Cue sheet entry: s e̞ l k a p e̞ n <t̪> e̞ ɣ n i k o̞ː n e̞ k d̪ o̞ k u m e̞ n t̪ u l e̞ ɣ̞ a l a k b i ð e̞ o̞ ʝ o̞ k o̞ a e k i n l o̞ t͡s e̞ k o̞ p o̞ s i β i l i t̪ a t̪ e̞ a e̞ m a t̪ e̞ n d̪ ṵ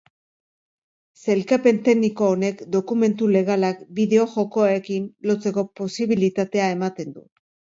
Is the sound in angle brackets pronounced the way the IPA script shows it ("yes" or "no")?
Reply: yes